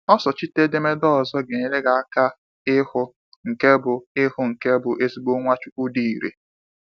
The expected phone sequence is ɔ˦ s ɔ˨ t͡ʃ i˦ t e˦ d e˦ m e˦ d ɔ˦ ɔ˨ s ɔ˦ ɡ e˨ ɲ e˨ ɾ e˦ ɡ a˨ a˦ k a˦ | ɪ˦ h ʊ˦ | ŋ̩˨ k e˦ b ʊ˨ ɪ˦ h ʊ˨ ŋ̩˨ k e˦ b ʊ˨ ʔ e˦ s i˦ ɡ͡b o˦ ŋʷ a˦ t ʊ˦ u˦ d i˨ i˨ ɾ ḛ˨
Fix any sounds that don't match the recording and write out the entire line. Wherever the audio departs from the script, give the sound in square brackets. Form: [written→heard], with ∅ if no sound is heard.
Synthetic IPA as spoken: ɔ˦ s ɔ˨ t͡ʃ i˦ t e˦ d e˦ m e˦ d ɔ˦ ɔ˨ [s→z] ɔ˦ ɡ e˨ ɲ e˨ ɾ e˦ ɡ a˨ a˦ k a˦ | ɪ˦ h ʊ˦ | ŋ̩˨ k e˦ b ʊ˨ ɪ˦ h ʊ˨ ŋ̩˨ k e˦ b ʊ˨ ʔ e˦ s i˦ ɡ͡b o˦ ŋʷ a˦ [t→t͡ʃ] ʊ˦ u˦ d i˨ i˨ ɾ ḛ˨